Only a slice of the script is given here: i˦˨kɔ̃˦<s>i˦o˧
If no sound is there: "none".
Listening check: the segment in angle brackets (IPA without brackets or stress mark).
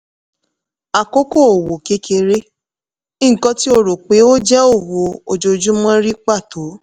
t